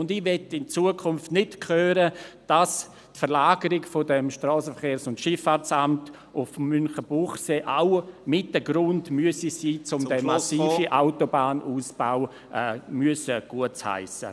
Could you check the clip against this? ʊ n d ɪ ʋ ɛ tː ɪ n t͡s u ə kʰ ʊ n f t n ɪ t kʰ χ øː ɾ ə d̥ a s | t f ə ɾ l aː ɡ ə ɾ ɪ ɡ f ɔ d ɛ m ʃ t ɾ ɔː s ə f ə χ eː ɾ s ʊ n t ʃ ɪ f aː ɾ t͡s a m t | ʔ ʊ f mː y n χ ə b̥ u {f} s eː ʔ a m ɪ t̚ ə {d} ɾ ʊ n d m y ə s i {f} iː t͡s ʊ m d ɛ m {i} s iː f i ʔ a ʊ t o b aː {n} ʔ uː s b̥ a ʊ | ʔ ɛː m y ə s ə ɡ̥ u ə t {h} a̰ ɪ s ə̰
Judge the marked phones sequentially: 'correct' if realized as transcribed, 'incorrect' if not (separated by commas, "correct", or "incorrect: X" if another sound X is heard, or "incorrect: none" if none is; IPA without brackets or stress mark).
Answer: incorrect: χ, incorrect: ɡ, incorrect: s, incorrect: a, correct, correct